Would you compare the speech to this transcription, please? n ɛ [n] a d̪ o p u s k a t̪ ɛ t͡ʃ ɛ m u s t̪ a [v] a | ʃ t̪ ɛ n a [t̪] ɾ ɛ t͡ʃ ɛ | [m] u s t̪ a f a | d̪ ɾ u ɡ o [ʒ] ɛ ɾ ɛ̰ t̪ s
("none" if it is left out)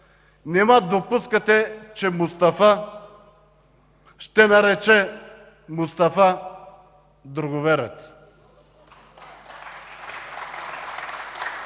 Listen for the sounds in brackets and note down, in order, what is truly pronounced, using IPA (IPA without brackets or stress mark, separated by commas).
m, f, none, m, v